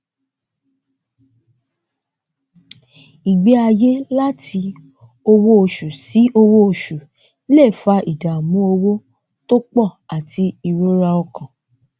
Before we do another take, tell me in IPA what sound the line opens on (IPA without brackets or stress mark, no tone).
i